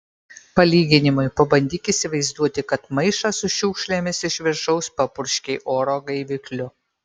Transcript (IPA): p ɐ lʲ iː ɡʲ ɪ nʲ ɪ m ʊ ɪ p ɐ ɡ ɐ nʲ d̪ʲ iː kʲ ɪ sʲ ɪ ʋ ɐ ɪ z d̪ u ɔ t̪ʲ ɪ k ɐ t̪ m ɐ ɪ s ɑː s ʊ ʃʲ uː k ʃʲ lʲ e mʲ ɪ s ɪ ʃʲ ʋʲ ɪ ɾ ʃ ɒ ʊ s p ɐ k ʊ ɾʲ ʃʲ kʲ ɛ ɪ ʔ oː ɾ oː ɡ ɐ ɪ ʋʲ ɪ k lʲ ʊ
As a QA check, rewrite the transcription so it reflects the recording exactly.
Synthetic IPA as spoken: p ɐ lʲ iː ɡʲ ɪ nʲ ɪ m ʊ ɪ p ɐ b ɐ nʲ d̪ʲ iː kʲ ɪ sʲ ɪ ʋ ɐ ɪ z d̪ u ɔ t̪ʲ ɪ k ɐ t̪ m ɐ ɪ ʃ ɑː s ʊ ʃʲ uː k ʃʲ lʲ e mʲ ɪ s ɪ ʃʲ ʋʲ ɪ ɾ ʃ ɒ ʊ s p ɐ p ʊ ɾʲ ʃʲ kʲ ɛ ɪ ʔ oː ɾ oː ɡ ɐ ɪ ʋʲ ɪ k lʲ ʊ